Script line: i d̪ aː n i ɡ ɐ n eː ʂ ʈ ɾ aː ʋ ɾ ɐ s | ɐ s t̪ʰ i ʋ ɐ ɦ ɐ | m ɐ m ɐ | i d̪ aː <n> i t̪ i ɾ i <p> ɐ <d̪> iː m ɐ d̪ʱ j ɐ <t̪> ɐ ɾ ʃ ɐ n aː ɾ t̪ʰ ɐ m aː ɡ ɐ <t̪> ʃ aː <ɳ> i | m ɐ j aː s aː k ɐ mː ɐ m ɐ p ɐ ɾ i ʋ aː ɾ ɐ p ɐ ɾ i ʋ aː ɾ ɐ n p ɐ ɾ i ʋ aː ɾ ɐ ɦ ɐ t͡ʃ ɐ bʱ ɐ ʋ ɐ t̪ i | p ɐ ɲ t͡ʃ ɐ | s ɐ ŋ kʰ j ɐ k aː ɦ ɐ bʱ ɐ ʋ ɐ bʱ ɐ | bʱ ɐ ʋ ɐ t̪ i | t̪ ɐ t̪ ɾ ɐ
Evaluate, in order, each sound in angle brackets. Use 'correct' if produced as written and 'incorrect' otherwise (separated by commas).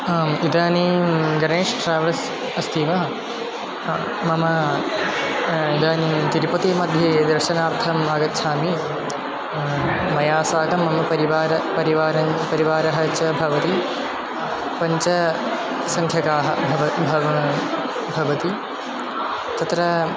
correct, correct, incorrect, incorrect, correct, incorrect